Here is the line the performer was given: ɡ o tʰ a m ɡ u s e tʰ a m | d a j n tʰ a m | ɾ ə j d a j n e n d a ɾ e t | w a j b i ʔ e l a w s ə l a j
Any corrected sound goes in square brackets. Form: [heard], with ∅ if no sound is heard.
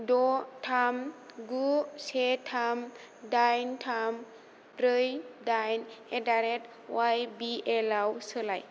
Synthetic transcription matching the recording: [d] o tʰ a m ɡ u s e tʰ a m | d a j n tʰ a m | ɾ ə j d a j n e [∅] d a ɾ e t | w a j b i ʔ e l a w s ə l a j

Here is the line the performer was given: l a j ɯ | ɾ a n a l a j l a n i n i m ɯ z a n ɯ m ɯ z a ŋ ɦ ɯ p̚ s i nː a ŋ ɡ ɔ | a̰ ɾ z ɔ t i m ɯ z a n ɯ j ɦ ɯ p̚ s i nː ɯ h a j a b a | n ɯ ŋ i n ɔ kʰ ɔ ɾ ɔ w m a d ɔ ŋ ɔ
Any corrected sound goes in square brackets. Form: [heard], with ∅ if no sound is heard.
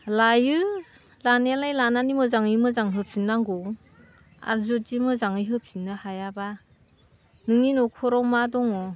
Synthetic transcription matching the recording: l a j ɯ | [l] a n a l a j l a n [a] n i m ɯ z a [ŋ] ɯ m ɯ z a ŋ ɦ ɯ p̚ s i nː a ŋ ɡ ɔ | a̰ ɾ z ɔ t i m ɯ z a [ŋ] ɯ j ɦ ɯ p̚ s i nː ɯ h a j a b a | n ɯ ŋ i n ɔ kʰ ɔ ɾ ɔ w m a d ɔ ŋ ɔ

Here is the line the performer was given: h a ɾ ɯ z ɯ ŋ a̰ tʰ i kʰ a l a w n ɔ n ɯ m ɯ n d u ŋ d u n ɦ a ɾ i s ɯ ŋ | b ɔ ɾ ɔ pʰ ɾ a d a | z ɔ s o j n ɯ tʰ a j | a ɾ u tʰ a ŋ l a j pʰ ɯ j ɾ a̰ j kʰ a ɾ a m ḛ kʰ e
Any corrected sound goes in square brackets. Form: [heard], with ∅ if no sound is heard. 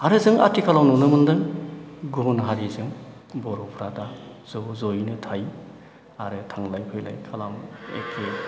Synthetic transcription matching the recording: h a ɾ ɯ z ɯ ŋ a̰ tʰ i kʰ a l a w n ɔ n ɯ m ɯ n d [ɯ] ŋ [ɡ] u n ɦ a ɾ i [z] ɯ ŋ | b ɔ ɾ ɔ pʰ ɾ a d a | z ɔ [z] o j n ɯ tʰ a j | a ɾ [ɯ] tʰ a ŋ l a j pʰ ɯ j [l] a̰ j kʰ a [l] a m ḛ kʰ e

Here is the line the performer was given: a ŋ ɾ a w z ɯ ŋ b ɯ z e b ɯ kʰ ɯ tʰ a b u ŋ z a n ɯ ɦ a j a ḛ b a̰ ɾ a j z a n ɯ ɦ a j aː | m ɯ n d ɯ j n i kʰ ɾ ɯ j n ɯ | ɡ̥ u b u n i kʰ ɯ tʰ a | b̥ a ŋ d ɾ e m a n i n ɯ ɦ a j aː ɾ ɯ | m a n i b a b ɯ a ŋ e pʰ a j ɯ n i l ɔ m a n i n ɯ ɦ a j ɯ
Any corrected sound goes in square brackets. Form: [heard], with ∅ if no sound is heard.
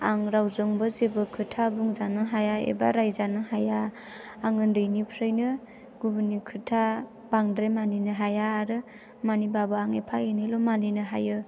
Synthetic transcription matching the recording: a ŋ ɾ a w z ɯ ŋ b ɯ z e b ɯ kʰ ɯ tʰ a b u ŋ z a n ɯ ɦ a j a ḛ b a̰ ɾ a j z a n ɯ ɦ a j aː | [ŋ] ɯ n d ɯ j n i [pʰ] ɾ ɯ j n ɯ | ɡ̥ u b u n i kʰ ɯ tʰ a | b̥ a ŋ d ɾ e m a n i n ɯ ɦ a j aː ɾ ɯ | m a n i b a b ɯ a ŋ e pʰ a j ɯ n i l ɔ m a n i n ɯ ɦ a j ɯ

